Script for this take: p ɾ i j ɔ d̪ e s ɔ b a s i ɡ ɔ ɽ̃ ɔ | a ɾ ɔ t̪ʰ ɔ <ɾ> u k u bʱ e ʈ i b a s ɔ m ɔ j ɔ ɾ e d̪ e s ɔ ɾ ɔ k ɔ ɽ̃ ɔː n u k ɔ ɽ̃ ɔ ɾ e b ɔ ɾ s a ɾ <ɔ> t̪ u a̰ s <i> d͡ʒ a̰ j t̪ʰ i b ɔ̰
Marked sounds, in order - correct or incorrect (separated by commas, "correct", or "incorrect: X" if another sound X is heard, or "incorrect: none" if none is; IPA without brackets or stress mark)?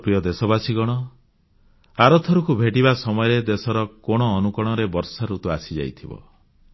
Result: correct, incorrect: u, correct